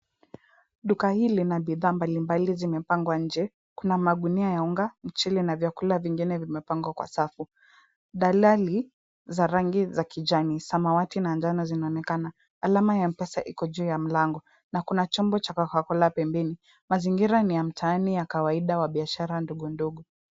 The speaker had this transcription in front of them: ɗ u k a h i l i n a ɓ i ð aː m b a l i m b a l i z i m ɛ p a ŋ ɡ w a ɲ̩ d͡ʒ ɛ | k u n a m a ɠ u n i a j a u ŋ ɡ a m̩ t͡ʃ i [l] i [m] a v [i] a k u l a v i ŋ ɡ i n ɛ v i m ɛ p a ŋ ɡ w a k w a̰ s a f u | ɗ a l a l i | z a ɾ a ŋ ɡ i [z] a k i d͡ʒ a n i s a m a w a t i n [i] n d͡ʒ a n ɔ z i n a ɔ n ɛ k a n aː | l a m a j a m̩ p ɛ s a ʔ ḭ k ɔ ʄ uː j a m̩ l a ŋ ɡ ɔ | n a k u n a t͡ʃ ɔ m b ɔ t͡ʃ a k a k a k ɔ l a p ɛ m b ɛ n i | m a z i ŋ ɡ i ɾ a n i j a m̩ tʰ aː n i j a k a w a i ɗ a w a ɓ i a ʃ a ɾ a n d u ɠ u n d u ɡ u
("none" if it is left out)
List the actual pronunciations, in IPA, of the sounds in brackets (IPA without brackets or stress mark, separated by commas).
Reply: l, n, j, z, a